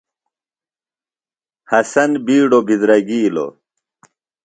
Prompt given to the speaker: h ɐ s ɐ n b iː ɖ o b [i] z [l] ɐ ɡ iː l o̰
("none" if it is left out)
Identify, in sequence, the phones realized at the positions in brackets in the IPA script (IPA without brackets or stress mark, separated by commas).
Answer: i, ɾ